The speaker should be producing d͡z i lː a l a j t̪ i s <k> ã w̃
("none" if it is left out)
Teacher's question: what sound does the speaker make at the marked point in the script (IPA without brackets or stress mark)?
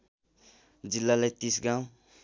ɡ